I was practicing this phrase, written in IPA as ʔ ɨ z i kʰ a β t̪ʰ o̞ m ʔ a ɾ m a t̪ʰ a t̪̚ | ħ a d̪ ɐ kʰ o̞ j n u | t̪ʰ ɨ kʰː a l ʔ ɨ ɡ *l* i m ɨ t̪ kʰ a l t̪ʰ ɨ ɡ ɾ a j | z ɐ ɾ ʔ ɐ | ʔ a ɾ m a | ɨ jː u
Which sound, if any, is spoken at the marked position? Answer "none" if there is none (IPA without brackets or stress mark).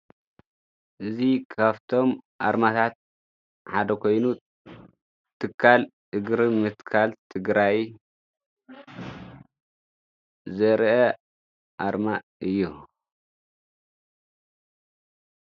ɾ